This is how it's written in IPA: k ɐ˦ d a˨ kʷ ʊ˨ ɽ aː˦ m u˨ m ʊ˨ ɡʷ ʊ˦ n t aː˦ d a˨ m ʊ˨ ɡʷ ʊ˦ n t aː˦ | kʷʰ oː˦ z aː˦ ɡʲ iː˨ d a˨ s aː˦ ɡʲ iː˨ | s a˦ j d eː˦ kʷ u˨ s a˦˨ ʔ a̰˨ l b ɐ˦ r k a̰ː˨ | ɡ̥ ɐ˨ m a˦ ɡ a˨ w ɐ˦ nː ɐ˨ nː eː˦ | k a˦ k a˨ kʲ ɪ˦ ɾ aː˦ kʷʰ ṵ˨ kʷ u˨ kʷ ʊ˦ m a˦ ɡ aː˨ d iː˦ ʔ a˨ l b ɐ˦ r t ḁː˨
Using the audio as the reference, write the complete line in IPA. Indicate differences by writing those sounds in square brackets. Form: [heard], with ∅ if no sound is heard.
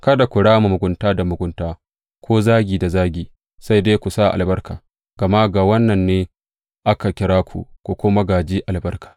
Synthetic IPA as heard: k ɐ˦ d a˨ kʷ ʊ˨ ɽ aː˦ m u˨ m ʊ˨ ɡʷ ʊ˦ n t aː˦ d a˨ m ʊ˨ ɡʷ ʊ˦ n t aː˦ | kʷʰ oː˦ z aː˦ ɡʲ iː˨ d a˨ [z] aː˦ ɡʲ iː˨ | s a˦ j d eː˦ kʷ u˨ s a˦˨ ʔ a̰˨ l b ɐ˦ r k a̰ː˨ | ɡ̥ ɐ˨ m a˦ ɡ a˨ w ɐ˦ nː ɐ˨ nː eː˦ | [ʔ] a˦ k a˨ kʲ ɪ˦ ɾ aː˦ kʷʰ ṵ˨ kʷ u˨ kʷ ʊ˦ m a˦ ɡ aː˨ [d͡ʒ] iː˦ ʔ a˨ l b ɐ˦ r [k] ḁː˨